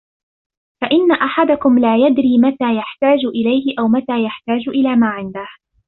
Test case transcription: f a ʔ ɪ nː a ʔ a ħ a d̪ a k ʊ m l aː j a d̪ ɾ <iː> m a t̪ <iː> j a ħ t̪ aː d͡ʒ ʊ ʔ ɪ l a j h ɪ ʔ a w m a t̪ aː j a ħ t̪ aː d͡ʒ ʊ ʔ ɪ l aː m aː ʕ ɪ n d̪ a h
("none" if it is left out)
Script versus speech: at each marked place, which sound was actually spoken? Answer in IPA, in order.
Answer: iː, aː

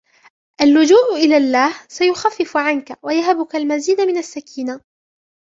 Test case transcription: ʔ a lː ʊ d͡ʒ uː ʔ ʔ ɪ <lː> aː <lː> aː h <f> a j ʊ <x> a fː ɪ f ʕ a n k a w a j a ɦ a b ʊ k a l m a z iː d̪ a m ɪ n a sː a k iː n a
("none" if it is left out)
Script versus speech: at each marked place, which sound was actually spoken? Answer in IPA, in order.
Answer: l, lː, s, x

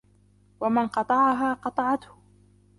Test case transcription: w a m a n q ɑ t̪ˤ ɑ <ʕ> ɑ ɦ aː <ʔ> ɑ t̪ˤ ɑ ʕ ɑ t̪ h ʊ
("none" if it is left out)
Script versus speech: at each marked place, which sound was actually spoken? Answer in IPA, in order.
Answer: ʕ, q

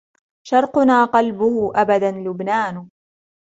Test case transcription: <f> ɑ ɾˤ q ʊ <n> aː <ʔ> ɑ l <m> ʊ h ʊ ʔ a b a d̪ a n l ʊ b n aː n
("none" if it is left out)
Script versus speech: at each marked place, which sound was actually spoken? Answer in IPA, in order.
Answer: ʃ, n, q, b

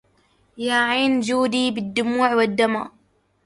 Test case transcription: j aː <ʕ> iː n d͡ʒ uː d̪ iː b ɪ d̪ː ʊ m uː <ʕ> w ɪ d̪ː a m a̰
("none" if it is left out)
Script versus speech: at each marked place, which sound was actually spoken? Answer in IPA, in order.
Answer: ʕ, ʕ

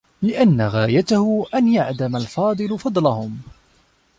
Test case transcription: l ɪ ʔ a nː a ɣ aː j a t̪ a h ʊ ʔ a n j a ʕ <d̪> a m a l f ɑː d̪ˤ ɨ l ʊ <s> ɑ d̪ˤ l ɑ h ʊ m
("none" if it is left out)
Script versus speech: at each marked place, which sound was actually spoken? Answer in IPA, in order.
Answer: d̪, f

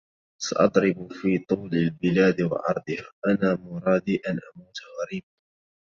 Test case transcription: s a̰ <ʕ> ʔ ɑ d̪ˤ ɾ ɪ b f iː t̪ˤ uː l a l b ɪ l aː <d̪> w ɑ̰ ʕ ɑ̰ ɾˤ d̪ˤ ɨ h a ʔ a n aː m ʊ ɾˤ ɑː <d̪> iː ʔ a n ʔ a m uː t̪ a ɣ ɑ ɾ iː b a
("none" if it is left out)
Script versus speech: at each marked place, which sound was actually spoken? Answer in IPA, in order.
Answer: none, d̪, d̪

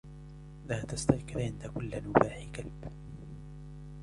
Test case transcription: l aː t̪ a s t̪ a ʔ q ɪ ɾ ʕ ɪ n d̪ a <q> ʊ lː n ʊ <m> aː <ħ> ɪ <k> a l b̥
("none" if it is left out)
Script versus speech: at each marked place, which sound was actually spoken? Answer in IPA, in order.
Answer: k, b, ħ, k

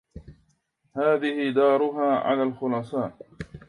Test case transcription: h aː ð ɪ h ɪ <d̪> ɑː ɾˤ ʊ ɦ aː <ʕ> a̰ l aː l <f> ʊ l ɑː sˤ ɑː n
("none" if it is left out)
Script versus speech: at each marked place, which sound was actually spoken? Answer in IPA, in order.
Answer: d̪, ʕ, x

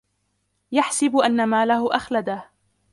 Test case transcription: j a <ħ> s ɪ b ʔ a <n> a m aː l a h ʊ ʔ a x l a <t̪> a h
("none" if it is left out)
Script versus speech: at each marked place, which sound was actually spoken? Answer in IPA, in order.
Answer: ħ, nː, d̪

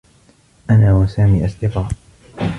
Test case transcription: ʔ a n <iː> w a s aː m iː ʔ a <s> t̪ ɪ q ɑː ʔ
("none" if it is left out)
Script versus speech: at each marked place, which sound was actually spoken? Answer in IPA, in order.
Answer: aː, s

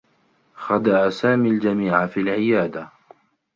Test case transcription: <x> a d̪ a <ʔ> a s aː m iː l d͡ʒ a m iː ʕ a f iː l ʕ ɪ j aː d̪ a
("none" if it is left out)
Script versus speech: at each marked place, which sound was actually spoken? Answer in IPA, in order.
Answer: x, ʔ

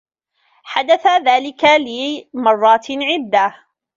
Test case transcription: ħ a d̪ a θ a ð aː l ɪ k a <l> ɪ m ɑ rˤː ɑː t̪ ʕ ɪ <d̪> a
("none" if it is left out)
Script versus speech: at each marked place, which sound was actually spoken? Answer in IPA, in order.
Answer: l, d̪ː

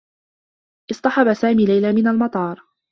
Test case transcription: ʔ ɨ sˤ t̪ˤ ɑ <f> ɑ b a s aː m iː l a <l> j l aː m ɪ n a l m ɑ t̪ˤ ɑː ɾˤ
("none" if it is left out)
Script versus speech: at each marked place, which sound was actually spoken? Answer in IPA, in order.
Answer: ħ, none

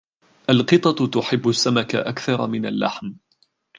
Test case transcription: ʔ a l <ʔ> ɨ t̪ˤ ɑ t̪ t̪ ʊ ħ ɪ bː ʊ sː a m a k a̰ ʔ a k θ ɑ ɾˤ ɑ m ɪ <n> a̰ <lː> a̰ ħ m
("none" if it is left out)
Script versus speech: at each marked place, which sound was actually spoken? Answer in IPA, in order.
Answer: q, n, lː

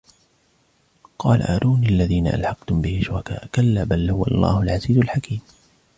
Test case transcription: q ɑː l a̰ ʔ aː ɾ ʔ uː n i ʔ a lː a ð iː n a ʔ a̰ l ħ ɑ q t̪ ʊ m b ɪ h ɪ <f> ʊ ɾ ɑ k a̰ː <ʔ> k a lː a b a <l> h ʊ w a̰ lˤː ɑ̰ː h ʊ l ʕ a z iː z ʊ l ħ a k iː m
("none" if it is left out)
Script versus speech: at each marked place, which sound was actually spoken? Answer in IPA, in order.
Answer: ʃ, ʔ, l

